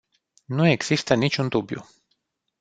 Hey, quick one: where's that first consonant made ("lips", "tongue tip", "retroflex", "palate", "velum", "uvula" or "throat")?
tongue tip